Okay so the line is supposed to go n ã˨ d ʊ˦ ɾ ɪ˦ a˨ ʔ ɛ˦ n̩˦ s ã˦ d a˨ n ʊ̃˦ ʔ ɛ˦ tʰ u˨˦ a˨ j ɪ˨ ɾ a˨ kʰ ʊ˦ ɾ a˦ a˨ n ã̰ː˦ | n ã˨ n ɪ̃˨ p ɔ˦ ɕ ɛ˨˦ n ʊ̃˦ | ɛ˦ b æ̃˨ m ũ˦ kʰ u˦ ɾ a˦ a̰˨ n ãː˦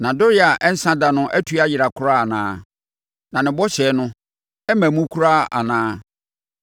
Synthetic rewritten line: n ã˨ d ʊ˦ ɾ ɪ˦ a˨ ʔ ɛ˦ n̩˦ s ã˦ d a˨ n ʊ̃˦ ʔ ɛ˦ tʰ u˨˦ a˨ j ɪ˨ ɾ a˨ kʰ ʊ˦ ɾ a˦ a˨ n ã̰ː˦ | n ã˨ n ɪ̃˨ b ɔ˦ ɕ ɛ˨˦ n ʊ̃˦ | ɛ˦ m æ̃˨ m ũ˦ kʰ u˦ ɾ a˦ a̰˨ n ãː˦

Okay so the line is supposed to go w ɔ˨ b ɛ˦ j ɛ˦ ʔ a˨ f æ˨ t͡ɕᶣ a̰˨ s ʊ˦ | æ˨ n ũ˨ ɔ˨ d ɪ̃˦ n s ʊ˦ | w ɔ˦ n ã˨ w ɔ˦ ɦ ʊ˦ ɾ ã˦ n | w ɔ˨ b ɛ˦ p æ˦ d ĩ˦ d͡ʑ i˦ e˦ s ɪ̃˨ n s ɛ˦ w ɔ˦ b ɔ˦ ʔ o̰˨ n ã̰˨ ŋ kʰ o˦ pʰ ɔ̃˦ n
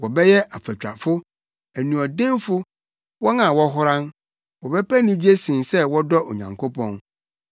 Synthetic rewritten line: w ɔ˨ b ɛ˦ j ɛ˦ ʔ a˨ f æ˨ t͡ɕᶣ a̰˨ f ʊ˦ | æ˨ n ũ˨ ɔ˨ d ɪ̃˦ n f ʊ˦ | w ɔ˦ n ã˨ w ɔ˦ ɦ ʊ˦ ɾ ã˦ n | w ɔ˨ b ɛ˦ p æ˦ n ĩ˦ d͡ʑ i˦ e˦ s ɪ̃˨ n s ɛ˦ w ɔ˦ d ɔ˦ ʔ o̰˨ ɲ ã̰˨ ŋ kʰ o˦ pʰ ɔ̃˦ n

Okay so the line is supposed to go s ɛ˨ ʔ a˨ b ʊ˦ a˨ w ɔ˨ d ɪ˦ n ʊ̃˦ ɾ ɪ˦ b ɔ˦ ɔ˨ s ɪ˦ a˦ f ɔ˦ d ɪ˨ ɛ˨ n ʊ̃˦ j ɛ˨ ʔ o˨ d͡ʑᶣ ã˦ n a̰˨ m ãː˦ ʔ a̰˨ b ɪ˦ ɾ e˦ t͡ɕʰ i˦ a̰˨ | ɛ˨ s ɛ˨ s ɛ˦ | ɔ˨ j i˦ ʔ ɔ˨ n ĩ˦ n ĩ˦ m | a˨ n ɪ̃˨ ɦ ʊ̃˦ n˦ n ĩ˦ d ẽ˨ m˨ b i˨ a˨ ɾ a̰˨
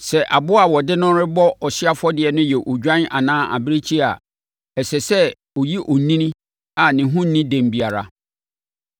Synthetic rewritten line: s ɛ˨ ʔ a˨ b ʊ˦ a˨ w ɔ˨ d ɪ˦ n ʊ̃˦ ɾ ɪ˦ b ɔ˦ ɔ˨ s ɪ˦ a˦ f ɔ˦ d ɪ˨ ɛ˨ n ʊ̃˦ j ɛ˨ ʔ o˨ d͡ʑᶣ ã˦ n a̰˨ n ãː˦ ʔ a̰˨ b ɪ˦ ɾ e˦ t͡ɕʰ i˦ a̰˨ | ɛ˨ s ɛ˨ s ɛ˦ | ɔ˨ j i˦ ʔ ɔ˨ n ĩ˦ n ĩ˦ | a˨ n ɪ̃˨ ɦ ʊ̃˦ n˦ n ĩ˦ d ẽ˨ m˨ b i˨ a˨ ɾ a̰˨

